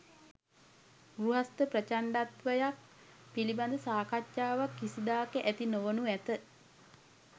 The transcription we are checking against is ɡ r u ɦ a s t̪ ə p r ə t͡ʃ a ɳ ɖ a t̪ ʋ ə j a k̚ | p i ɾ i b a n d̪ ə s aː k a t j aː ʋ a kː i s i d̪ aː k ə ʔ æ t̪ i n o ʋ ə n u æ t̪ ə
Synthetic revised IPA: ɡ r u ɦ a s t̪ ə p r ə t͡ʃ a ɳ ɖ a t̪ ʋ ə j a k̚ | p i l i b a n d̪ ə s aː k a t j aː ʋ a kː i s i d̪ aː k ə ʔ æ t̪ i n o ʋ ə n u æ t̪ ə